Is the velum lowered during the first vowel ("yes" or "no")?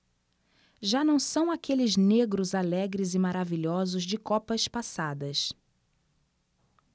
no